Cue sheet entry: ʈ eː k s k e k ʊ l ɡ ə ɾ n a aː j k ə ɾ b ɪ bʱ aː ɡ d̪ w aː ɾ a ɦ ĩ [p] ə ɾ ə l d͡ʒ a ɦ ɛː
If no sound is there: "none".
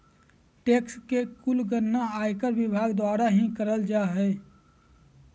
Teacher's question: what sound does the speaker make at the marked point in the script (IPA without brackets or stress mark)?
k